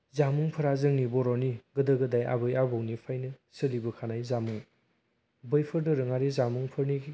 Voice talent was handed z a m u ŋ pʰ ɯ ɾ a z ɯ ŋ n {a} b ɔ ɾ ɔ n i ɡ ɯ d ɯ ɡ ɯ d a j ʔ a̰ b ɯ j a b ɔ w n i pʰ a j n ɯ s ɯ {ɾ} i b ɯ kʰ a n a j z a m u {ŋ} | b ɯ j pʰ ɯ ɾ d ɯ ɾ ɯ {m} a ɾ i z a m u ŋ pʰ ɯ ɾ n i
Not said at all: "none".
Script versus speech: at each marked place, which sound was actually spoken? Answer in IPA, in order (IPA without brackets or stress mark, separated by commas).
i, l, ŋ, ŋ